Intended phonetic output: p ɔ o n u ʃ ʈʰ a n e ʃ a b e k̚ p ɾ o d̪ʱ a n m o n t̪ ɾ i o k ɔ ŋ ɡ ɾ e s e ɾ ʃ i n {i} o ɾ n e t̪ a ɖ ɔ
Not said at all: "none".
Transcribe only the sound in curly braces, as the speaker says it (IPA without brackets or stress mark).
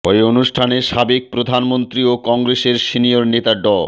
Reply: i